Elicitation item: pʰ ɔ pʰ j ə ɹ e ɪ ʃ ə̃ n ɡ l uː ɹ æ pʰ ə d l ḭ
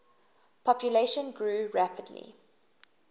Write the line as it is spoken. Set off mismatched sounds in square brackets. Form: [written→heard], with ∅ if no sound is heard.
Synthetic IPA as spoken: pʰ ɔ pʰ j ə [ɹ→l] e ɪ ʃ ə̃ n ɡ [l→ɹ] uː ɹ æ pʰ ə d l ḭ